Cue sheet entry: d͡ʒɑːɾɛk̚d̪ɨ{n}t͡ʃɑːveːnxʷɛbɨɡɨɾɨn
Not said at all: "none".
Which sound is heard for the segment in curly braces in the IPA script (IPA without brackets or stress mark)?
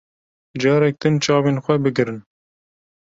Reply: n